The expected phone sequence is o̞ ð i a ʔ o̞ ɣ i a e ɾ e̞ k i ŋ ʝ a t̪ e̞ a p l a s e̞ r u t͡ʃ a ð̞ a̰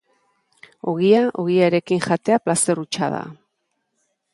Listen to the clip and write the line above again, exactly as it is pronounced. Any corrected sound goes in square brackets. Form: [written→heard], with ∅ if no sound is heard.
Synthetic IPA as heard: o̞ [ð→ɣ] i a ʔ o̞ ɣ i a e ɾ e̞ k i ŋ ʝ a t̪ e̞ a p l a s e̞ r u t͡ʃ a ð̞ a̰